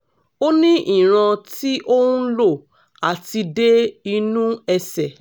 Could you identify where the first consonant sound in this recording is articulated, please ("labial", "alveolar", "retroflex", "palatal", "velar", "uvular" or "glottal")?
alveolar